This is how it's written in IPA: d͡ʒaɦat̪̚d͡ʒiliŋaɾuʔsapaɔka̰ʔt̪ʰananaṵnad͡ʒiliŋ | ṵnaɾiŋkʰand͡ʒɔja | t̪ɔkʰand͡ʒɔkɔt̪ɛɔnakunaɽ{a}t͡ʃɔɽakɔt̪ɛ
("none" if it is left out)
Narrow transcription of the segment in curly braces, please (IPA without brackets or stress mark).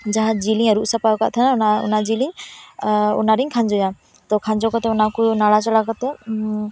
a